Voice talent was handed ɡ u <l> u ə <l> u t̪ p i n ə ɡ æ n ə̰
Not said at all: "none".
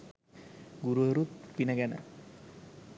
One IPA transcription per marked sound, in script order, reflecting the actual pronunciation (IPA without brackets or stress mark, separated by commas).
ɾ, ɾ